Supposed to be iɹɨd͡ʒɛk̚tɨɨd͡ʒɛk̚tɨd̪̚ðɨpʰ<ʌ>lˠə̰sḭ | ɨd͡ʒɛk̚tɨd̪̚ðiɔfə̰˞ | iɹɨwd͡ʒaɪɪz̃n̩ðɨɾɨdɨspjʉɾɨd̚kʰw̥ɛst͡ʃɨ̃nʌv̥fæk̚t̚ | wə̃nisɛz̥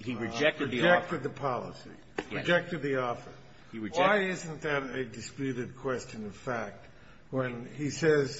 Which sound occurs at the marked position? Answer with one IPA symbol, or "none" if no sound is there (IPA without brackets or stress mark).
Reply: ɑ